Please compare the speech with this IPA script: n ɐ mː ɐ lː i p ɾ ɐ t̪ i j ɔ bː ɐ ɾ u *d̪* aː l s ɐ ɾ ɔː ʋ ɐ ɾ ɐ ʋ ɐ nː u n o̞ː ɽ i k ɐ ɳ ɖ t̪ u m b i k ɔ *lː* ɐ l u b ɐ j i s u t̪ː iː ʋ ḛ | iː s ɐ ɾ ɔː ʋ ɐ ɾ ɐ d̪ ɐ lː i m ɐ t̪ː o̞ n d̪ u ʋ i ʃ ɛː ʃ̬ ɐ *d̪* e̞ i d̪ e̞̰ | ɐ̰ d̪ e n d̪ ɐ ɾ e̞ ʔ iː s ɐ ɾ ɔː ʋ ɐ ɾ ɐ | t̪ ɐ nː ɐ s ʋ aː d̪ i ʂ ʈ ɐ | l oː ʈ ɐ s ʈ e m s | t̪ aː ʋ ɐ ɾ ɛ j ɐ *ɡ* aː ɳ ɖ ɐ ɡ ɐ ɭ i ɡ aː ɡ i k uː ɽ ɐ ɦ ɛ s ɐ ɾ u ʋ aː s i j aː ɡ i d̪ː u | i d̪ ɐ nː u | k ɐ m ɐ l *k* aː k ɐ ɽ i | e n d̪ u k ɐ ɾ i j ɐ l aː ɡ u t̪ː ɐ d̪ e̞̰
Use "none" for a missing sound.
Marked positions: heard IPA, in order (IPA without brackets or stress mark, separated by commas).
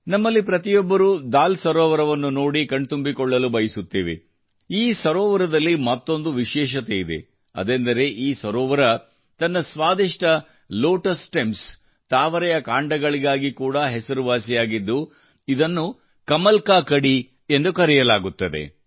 d̪, ɭː, t̪, k, k